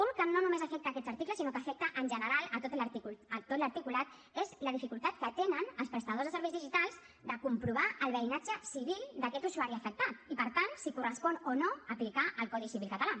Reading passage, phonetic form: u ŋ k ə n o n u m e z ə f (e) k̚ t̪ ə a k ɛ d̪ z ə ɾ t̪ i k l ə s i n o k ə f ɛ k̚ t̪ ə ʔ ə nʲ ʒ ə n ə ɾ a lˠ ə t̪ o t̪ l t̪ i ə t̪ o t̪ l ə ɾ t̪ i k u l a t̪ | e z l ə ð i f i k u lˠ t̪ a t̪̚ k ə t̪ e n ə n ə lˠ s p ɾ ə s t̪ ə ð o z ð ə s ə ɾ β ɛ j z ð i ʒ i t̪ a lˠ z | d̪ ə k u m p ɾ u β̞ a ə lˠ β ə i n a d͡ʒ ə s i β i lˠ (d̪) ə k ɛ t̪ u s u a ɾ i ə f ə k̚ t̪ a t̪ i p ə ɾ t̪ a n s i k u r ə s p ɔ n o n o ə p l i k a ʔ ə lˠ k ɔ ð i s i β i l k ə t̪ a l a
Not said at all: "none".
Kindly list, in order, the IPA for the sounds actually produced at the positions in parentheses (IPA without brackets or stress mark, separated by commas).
ɛ, d̪